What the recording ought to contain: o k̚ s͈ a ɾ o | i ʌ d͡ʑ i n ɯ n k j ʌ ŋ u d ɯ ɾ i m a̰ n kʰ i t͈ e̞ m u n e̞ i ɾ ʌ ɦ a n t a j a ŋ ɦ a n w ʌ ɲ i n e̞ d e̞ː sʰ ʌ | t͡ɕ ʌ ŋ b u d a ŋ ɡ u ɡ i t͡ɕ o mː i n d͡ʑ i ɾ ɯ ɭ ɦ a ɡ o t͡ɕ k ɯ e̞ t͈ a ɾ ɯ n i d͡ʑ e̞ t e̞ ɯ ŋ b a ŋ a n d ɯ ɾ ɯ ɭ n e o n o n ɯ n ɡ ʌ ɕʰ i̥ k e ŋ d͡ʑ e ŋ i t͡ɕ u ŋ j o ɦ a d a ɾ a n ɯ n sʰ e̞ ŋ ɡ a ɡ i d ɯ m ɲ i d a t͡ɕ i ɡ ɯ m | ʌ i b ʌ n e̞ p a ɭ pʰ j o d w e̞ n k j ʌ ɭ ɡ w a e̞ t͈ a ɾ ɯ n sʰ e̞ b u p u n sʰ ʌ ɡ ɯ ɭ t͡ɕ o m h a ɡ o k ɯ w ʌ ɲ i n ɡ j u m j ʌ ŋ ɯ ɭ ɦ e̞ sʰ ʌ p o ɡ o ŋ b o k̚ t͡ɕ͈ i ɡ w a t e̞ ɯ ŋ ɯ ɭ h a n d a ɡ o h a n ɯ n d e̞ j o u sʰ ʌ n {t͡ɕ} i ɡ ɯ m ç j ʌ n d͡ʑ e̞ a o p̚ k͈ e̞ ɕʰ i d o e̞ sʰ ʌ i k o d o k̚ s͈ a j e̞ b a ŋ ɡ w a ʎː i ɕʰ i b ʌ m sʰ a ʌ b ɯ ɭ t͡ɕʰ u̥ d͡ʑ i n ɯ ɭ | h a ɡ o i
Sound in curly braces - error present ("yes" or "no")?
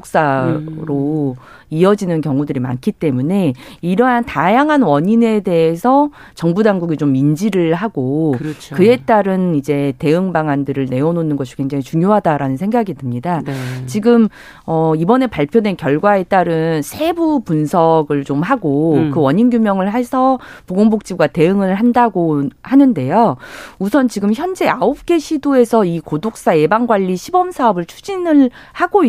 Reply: no